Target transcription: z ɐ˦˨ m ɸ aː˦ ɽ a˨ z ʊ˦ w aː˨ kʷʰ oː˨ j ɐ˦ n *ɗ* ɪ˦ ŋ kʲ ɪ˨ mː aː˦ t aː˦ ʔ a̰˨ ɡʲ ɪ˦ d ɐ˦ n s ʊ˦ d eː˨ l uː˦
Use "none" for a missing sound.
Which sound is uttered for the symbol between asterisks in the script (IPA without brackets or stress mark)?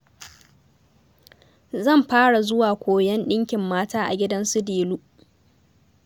ɗ